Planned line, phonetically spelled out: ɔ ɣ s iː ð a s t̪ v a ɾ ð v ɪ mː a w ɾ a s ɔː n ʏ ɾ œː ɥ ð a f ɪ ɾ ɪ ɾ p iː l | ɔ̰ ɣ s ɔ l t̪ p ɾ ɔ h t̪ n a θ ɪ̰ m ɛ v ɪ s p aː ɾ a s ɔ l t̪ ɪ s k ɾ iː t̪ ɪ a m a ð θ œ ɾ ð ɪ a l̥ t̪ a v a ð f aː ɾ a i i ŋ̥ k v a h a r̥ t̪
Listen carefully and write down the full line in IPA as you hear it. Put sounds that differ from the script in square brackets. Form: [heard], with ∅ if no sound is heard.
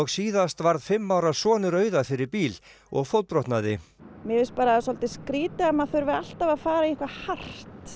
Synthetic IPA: ɔ ɣ s iː ð a s t̪ v a ɾ ð [f] ɪ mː a w ɾ a s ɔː n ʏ ɾ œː ɥ ð a f ɪ ɾ ɪ ɾ p iː l | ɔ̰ ɣ [f] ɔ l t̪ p ɾ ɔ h t̪ n a [ð] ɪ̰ m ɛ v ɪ s p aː ɾ a s ɔ l t̪ ɪ s k ɾ iː t̪ ɪ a m a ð θ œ ɾ [v] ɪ a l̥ t̪ a v a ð f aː ɾ a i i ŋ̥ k v a h a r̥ t̪